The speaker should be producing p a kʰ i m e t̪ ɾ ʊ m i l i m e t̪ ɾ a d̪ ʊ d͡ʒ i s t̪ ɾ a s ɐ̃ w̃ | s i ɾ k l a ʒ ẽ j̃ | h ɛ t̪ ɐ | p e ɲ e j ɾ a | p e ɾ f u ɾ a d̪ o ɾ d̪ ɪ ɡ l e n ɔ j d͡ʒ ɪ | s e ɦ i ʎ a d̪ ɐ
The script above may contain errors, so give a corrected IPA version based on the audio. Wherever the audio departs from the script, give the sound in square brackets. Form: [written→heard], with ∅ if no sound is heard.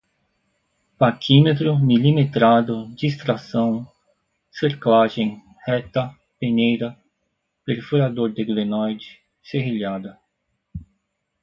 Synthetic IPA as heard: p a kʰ i m e t̪ ɾ ʊ m i l i m e t̪ ɾ a d̪ ʊ d͡ʒ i s t̪ ɾ a s ɐ̃ w̃ | s [i→e] ɾ k l a ʒ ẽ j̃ | h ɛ t̪ ɐ | p e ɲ e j ɾ [a→ɐ] | p e ɾ f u ɾ a d̪ o ɾ d̪ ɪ ɡ l e n ɔ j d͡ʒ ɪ | s e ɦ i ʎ a d̪ ɐ